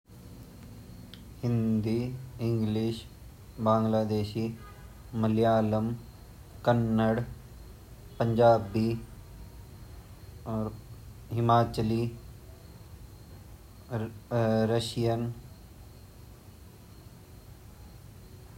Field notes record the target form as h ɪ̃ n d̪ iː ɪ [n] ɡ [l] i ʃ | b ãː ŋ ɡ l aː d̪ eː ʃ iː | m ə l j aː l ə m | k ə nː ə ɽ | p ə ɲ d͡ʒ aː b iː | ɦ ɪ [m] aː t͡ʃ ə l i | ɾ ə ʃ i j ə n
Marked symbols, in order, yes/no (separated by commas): no, yes, yes